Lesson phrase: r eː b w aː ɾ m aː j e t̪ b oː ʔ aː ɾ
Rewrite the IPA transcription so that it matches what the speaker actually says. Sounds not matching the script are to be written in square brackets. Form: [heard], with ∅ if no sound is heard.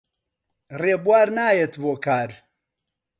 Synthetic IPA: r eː b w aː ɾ [n] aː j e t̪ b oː [k] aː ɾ